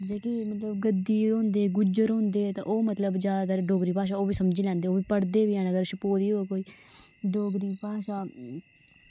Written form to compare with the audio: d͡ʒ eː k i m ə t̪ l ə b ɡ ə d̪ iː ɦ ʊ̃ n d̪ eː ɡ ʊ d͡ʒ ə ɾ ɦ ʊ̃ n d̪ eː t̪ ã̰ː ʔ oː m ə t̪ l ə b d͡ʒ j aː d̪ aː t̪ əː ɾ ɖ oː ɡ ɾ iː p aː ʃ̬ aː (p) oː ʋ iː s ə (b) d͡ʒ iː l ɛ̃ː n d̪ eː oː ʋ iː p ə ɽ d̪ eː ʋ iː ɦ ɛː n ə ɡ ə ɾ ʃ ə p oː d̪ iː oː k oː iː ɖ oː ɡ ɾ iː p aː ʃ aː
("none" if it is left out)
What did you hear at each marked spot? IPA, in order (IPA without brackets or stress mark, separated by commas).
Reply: none, m